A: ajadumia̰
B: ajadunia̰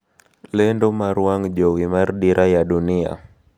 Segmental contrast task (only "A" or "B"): B